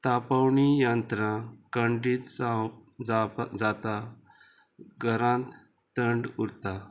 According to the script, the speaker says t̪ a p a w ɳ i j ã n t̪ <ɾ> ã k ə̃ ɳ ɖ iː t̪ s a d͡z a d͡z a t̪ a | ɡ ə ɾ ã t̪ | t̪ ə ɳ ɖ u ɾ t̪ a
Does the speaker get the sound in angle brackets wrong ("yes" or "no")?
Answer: no